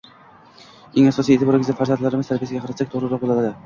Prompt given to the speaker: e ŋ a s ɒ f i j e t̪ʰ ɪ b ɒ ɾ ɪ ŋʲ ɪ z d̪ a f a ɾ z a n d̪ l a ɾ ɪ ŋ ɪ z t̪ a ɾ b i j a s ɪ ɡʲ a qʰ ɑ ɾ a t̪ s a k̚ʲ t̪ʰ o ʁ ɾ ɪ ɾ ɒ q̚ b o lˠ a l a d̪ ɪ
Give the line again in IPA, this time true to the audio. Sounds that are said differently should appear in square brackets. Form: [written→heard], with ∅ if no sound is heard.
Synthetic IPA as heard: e ŋ a s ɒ [f→s] i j e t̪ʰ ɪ b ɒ ɾ ɪ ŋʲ ɪ z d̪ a f a ɾ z a n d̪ l a ɾ ɪ [ŋ→m] ɪ z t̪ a ɾ b i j a s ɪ ɡʲ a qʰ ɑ ɾ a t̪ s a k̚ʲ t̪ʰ o ʁ ɾ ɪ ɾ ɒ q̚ b o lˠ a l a d̪ ɪ